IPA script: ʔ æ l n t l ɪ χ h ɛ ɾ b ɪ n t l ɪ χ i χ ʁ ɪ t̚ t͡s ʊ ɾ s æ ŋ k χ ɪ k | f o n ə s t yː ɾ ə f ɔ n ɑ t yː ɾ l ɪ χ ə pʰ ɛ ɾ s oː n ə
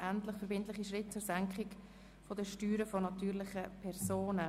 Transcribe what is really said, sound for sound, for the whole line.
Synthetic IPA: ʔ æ n t l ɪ χ f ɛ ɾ b ɪ n t l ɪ χ i ʃ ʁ ɪ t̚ t͡s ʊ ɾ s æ ŋ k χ ɪ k | f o d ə ʃ t yː ɾ ə f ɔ n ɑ t yː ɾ l ɪ χ ə pʰ ɛ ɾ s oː n ə

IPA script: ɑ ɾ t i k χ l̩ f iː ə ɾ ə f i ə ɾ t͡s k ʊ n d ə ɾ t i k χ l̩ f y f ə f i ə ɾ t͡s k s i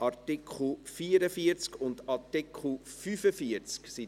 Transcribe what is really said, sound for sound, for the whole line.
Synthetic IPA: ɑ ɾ t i k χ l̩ f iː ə ɾ ə f i ə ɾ t͡s k ʊ n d ɑ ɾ t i k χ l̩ f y f ə f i ə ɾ t͡s k s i

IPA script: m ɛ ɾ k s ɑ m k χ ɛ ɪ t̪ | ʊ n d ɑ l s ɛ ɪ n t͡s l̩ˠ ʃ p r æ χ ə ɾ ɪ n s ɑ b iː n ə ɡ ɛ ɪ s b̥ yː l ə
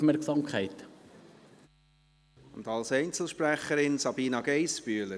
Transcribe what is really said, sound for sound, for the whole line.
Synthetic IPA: m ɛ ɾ k s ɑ m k χ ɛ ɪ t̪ | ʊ n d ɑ l s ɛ ɪ n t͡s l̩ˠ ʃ p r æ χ ə ɾ ɪ n s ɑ b iː n ɑ ɡ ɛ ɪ s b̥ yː l ə

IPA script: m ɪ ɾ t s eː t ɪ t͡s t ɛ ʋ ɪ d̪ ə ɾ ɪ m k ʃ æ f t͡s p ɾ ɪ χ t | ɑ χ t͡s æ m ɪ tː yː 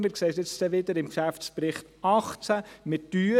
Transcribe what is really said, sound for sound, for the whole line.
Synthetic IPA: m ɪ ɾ k s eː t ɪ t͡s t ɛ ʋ ɪ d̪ ə ɾ ɪ m k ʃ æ f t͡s p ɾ ɪ χ t | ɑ χ t͡s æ m ɪ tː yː

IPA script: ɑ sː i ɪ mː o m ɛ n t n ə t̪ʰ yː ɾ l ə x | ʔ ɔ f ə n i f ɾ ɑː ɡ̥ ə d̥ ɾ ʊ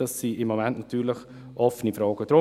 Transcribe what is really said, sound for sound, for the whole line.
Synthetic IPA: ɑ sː i ɪ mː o m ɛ n t n ɑ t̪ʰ yː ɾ l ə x | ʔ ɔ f ə n i f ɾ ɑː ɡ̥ ə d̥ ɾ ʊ

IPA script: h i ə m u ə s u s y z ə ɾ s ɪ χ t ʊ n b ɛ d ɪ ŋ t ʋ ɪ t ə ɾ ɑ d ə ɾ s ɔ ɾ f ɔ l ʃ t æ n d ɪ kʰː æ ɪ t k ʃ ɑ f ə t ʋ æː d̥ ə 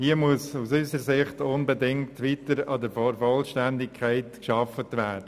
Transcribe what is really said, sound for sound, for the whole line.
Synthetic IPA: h i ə m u ə s u s y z ə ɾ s ɪ χ t ʊ n b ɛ d ɪ ŋ t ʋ i t ə ɾ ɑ d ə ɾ f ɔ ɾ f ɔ l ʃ t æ n d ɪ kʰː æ ɪ t k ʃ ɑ f ə t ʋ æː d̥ ə

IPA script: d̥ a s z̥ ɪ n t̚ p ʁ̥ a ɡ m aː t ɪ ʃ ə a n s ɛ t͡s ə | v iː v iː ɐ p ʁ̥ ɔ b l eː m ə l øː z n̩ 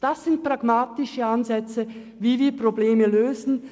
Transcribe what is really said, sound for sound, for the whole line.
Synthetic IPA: d̥ a s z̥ ɪ n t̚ p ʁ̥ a ɡ m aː t ɪ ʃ ə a n z ɛ t͡s ə | v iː v iː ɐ p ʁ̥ o b l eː m ə l øː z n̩

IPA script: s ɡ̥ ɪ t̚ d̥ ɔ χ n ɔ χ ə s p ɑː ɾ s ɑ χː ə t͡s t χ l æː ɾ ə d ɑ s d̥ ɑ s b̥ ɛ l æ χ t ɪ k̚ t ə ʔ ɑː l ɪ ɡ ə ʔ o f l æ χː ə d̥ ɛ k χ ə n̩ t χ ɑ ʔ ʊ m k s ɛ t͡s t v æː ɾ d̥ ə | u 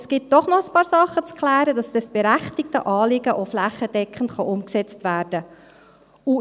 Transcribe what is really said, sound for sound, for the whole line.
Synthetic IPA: s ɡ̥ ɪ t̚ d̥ ɔ χ n ɔ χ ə s p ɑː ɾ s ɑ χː ə t͡s k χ l æː ɾ ə d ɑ s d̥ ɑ s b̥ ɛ ɾ æ χ t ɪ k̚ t ə ʔ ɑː l ɪ ɡ ə ʔ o f l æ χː ə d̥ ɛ k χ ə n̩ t χ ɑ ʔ ʊ m k s ɛ t͡s t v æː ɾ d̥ ə | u

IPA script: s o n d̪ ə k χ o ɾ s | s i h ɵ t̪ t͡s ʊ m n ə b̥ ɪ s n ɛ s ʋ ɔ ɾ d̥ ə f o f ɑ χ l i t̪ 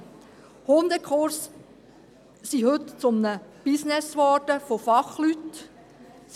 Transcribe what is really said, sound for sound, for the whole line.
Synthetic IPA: h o n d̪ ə k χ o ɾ s | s i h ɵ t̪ t͡s ʊ m n ə b̥ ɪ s n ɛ s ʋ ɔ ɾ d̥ ə f o f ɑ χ l y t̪

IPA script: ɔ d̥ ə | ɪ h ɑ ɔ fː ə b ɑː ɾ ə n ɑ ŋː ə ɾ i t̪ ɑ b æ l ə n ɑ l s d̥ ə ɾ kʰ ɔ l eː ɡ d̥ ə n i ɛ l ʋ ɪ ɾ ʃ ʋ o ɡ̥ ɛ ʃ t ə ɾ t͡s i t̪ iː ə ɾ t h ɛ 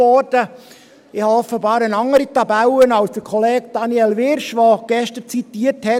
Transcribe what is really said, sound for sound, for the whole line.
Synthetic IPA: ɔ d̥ ə | ɪ h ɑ ɔ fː ə b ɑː ɾ ə n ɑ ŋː ə ɾ i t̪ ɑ b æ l ə n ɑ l s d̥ ə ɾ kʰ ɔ l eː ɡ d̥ ɑ n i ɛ l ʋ ɪ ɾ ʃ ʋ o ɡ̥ ɛ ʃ t ə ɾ t͡s i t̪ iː ə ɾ t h ɛ

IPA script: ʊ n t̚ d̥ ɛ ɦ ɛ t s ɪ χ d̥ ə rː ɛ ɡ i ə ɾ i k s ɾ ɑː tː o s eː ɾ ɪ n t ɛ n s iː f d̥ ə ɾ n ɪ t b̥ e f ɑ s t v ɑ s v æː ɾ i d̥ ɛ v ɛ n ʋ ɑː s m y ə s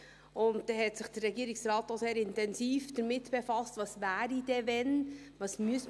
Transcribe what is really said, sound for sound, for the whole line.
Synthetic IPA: ʊ n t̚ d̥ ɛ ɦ ɛ t s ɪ χ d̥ ə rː ɛ ɡ i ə ɾ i k s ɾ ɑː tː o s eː ɾ ɪ n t ɛ n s iː f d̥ ə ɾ m ɪ t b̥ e f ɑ s t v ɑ s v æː ɾ i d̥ ɛ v ɛ n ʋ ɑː s m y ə s

